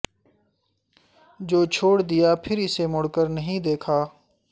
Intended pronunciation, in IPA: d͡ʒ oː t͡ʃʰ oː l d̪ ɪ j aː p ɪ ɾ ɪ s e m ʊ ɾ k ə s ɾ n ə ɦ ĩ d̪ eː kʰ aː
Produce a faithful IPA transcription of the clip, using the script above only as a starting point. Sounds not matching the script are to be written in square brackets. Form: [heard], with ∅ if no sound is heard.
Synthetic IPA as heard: d͡ʒ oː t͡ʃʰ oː [ɽ] d̪ ɪ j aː [pʰ] ɪ ɾ ɪ s e m ʊ [ɽ] k ə [∅] ɾ n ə ɦ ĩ d̪ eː kʰ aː